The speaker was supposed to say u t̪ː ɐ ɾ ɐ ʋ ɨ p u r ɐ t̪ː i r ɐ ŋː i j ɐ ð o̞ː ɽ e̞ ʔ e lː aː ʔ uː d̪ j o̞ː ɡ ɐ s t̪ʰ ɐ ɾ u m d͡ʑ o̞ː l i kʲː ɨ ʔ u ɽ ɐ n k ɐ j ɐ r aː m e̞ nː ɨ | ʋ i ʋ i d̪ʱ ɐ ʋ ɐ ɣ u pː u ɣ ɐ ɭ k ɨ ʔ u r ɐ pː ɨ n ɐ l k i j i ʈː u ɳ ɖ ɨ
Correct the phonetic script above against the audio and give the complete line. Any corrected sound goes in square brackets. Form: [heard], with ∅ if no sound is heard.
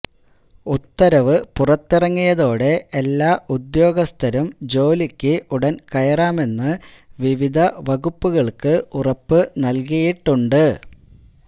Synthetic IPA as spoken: u t̪ː ɐ ɾ ɐ ʋ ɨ p u r ɐ t̪ː i r ɐ ŋː i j ɐ ð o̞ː ɽ e̞ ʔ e lː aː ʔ [u] d̪ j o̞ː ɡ ɐ s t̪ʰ ɐ ɾ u m d͡ʑ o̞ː l i kʲː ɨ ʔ u ɽ ɐ n k ɐ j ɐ r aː m e̞ nː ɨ | ʋ i ʋ i d̪ʱ ɐ ʋ ɐ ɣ u pː u ɣ ɐ ɭ k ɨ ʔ u r ɐ pː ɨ n ɐ l k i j i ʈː u ɳ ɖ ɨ